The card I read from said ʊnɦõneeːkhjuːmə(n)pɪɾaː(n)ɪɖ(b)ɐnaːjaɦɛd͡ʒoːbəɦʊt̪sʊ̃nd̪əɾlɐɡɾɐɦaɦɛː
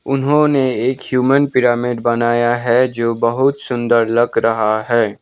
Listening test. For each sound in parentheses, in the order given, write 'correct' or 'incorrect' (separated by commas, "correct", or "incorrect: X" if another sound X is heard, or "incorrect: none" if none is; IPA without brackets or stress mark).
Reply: correct, incorrect: m, correct